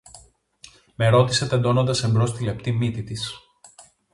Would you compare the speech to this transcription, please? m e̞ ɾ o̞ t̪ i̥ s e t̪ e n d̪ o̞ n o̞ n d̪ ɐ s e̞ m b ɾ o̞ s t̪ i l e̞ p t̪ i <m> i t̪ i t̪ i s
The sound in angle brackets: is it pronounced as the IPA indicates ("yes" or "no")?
yes